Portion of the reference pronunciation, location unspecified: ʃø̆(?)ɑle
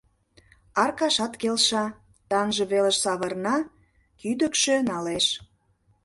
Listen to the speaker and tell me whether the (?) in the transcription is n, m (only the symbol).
n